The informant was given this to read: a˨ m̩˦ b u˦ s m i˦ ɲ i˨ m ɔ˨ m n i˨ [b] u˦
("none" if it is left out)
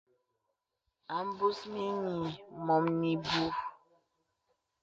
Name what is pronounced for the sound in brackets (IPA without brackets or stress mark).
b